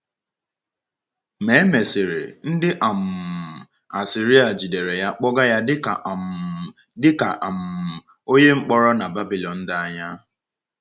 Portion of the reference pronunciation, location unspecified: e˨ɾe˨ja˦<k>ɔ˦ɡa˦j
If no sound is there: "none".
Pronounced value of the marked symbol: k͡p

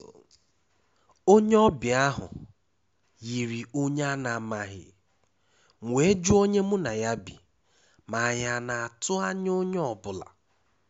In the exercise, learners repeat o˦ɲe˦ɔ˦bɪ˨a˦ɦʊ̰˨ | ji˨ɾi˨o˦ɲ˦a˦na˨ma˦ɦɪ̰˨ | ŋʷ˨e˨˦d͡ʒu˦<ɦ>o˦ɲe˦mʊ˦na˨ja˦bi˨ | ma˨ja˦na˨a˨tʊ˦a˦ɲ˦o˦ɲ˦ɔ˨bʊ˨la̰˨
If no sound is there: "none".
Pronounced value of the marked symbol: none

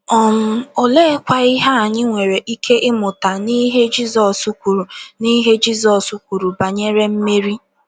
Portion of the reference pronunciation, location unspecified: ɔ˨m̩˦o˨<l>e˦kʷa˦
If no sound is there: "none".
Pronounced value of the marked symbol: l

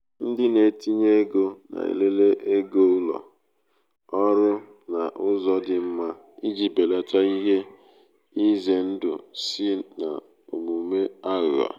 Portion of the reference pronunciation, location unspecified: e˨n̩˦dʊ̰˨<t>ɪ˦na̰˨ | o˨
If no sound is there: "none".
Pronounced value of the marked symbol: s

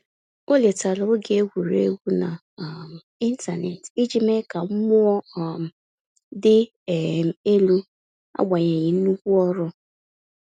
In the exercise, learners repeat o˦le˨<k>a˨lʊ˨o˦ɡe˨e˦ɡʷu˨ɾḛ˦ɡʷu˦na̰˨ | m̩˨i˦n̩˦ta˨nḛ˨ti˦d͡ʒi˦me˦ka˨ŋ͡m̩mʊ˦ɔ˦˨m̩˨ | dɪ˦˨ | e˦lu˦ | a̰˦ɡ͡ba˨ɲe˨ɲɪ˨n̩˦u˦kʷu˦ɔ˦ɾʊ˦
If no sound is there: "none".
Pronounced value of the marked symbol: t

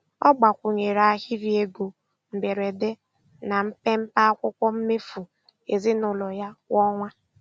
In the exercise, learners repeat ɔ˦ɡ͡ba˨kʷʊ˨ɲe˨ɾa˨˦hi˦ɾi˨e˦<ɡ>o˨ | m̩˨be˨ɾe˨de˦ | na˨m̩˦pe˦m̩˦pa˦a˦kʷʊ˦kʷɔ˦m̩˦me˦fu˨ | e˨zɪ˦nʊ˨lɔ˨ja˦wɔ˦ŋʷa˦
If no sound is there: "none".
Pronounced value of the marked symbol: ɡ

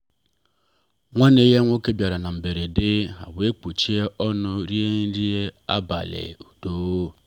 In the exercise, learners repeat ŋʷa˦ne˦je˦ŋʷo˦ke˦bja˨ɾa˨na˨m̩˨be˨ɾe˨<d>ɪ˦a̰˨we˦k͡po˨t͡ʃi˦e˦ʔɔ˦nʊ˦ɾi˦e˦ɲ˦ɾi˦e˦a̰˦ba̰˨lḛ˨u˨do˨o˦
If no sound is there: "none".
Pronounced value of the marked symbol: d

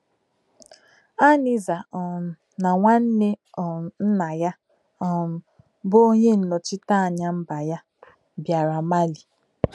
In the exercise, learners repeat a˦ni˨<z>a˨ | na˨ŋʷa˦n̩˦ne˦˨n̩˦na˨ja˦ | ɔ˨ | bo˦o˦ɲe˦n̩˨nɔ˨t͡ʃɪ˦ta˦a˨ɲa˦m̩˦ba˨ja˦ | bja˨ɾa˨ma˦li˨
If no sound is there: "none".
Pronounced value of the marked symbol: z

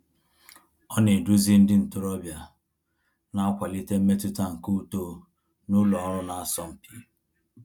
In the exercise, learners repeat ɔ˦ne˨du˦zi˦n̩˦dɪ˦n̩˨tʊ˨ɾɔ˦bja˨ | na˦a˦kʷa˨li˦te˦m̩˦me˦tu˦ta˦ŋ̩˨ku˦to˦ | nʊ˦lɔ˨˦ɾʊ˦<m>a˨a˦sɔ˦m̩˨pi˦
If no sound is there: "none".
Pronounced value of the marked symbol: n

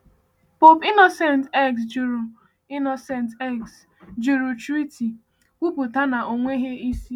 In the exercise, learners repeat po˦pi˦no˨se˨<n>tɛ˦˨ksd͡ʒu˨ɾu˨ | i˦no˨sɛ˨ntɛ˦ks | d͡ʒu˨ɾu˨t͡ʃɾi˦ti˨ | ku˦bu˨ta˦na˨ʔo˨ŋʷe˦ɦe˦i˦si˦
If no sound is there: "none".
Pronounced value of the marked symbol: n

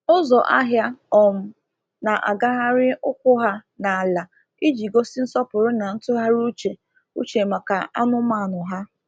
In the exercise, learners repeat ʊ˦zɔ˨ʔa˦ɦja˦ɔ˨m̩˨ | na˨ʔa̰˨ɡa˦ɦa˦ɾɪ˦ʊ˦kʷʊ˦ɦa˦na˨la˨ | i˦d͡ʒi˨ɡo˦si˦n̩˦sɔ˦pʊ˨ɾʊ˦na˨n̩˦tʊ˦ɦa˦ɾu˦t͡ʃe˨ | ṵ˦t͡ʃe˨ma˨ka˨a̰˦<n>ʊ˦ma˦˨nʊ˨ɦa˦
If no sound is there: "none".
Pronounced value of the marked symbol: n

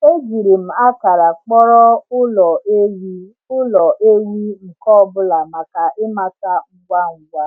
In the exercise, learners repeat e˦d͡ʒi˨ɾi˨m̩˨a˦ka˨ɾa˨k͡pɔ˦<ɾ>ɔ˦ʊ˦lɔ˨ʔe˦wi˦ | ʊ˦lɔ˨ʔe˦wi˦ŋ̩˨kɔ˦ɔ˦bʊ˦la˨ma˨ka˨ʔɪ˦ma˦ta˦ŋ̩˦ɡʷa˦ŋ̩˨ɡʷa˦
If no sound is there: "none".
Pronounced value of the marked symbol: ɾ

